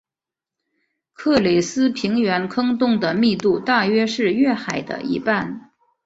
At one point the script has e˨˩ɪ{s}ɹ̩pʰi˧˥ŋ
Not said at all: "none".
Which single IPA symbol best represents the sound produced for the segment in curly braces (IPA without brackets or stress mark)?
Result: s